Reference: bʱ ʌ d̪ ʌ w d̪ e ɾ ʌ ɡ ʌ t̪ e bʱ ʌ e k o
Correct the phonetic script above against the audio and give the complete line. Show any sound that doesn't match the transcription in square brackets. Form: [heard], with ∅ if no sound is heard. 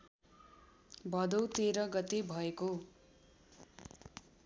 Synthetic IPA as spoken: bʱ ʌ d̪ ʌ w [t̪] e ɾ ʌ ɡ ʌ t̪ e bʱ ʌ e k o